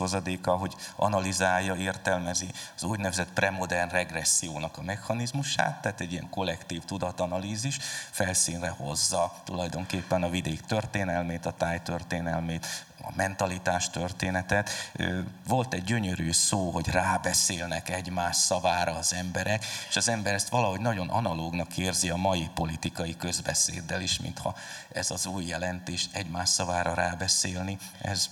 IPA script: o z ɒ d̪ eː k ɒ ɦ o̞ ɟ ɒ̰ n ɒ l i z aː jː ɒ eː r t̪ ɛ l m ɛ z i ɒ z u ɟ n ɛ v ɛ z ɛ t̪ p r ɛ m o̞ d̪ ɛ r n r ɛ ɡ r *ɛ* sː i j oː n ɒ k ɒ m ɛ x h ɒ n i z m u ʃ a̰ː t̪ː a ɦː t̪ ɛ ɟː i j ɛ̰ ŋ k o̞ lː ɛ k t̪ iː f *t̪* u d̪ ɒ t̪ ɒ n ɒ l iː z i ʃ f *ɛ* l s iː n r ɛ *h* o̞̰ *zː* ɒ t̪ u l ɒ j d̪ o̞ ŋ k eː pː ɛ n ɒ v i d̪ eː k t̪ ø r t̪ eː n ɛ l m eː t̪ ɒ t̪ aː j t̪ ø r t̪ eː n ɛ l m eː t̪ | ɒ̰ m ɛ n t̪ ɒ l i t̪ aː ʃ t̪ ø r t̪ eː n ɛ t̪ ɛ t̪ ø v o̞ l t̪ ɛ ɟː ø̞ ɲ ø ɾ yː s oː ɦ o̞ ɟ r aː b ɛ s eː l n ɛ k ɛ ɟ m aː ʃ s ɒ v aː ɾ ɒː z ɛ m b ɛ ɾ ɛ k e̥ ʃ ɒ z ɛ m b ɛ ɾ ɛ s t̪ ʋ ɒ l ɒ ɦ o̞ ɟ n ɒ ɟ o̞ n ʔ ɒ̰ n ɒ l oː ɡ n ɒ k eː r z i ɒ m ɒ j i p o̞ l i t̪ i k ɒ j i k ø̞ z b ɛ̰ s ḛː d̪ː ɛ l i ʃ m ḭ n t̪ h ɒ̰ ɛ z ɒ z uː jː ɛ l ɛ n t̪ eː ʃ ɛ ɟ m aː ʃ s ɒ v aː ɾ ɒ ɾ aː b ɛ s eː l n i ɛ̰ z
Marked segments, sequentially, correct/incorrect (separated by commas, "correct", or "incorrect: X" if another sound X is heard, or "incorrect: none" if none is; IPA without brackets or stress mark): correct, correct, correct, correct, correct